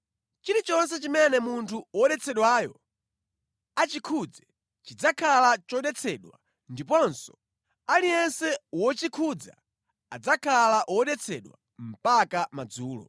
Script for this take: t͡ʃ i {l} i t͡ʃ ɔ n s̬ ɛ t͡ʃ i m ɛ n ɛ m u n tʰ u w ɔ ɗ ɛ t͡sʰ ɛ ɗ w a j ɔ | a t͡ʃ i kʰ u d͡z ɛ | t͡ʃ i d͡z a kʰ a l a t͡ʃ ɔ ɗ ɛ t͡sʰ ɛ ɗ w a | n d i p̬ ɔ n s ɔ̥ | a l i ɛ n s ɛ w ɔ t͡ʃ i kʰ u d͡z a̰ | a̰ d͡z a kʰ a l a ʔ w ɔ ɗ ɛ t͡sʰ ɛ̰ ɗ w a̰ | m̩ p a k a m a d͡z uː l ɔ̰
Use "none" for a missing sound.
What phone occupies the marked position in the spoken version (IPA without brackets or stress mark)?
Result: ɾ